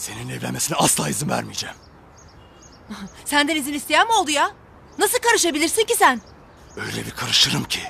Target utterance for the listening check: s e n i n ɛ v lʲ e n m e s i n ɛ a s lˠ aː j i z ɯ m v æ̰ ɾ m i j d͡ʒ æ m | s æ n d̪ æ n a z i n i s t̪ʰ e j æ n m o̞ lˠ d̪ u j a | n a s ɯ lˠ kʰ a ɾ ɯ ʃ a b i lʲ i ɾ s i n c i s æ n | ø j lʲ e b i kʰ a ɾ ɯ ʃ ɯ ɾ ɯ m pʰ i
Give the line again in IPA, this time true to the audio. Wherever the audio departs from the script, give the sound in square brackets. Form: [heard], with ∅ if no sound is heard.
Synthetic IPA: s e n i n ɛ v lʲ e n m e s i n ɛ a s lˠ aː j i z ɯ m v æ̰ ɾ m i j d͡ʒ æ m | s æ n d̪ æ n [i] z i n i s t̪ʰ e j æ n m o̞ lˠ d̪ u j a | n a s ɯ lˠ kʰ a ɾ ɯ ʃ a b i lʲ i ɾ s i n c i s æ n | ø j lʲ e b i kʰ a ɾ ɯ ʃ ɯ ɾ ɯ m [cʰ] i